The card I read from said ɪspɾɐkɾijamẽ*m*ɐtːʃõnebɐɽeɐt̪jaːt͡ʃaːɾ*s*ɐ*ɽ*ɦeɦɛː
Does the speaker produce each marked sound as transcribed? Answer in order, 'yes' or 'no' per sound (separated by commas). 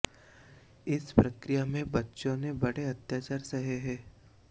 no, yes, no